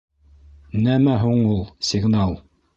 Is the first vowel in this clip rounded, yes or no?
no